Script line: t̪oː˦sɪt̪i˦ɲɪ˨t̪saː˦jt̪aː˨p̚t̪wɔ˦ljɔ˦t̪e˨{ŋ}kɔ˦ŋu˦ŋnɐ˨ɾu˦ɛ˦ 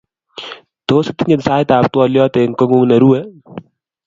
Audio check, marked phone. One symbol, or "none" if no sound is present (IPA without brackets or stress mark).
ŋ